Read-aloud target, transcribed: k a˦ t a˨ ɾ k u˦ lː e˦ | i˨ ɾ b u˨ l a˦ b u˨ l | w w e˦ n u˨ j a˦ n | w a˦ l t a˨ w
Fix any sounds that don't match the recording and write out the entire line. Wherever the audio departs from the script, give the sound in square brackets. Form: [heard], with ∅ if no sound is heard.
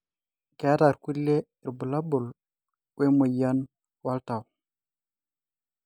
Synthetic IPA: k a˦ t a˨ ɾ k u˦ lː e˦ | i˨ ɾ b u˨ l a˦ b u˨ l | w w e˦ [m] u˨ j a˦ n | w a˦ l t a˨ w